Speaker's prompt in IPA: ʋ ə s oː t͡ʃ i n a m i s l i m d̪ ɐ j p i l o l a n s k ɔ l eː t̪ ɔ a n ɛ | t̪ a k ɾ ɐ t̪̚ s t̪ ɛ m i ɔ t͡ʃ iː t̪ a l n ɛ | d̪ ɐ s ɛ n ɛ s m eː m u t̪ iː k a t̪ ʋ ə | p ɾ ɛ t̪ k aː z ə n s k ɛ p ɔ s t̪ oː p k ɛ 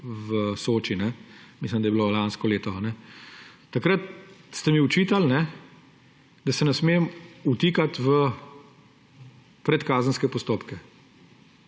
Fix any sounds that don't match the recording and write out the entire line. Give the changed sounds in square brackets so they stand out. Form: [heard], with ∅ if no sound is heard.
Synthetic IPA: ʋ ə s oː t͡ʃ i n [ɛ] m i s l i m d̪ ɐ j [b] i l o l a n s k ɔ l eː t̪ ɔ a n ɛ | t̪ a k ɾ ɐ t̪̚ s t̪ ɛ m i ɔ t͡ʃ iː t̪ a l n ɛ | d̪ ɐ s ɛ n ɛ s m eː m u t̪ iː k a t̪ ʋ ə | p ɾ ɛ t̪ k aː z ə n s k ɛ p ɔ s t̪ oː p k ɛ